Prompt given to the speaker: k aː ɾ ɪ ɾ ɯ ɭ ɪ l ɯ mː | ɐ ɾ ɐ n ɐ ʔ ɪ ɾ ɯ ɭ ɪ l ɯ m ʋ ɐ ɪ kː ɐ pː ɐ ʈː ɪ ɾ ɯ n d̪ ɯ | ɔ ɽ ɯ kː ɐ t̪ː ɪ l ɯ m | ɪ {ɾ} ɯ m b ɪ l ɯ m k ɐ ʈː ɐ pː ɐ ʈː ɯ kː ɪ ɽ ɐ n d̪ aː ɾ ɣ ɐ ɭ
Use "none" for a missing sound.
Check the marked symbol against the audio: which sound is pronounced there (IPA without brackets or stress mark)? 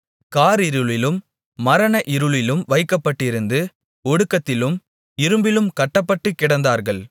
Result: ɾ